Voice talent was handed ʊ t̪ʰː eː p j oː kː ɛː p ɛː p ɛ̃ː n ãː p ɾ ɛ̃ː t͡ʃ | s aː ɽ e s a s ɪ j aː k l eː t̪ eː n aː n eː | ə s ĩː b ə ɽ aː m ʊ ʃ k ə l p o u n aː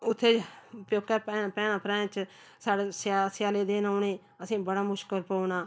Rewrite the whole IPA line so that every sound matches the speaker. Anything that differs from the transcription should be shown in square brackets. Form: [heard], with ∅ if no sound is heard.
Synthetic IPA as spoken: ʊ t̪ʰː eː p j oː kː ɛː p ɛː p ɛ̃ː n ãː p ɾ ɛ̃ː t͡ʃ | s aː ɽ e s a s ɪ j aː [∅] l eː [d̪] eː n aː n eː | ə s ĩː b ə ɽ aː m ʊ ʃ k ə l p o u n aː